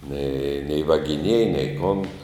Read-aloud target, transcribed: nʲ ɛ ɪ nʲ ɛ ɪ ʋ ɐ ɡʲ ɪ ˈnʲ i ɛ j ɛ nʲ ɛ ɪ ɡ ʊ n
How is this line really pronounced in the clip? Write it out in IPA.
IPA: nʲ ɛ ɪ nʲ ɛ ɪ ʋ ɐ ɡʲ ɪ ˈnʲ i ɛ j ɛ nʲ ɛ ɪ k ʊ n